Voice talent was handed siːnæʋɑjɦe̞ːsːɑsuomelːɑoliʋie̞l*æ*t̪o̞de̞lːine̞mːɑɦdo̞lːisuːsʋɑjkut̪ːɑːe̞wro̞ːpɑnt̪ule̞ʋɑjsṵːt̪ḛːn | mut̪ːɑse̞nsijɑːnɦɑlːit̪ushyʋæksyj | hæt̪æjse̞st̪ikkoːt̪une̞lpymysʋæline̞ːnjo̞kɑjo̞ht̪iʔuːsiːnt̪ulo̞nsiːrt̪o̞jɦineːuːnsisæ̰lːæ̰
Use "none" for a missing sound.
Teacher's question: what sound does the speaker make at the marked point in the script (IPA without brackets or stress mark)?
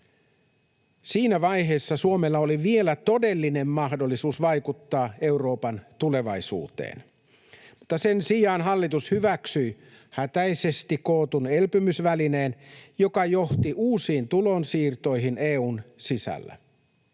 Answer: æ